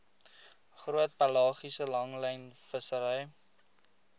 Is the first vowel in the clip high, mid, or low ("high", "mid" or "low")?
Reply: high